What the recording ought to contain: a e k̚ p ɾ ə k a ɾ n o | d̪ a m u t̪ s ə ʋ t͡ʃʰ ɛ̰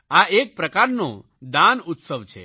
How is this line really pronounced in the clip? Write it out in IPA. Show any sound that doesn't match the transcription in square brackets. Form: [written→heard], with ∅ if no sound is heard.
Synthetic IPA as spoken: a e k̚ p ɾ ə k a ɾ n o | d̪ a [m→n] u t̪ s ə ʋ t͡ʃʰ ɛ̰